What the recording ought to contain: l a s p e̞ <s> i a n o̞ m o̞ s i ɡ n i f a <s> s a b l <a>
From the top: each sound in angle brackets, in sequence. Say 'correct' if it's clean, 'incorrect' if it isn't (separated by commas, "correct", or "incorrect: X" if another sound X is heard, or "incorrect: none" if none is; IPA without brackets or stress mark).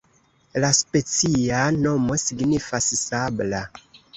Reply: incorrect: t͡s, correct, correct